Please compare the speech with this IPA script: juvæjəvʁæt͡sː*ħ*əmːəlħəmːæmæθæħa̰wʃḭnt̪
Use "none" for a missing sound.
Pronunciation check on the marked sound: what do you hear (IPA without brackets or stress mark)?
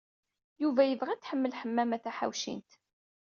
ħ